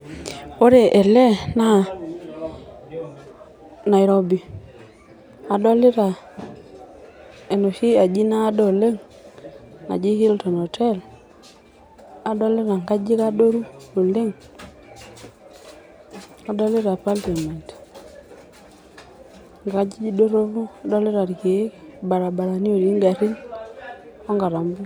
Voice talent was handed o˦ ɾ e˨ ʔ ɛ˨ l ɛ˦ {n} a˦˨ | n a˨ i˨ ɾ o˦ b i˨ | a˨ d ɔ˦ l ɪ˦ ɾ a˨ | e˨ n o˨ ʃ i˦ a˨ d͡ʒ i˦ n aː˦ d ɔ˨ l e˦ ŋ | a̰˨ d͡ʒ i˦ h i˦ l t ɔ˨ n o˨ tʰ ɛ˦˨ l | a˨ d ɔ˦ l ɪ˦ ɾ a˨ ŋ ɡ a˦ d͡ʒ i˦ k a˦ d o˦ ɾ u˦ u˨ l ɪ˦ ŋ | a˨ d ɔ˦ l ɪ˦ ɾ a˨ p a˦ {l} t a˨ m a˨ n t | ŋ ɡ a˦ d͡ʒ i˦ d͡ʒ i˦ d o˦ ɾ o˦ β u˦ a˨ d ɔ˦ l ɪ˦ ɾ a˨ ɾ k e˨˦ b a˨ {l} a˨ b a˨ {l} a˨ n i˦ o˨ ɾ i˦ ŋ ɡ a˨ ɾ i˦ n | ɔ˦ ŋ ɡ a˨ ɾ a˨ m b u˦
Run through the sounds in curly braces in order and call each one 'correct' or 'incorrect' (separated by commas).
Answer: correct, correct, incorrect, incorrect